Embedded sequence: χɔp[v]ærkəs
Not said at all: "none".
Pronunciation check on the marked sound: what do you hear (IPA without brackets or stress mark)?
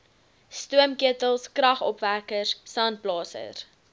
v